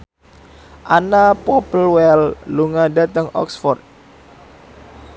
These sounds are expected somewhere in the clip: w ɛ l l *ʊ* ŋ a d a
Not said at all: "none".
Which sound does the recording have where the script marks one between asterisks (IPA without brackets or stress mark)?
u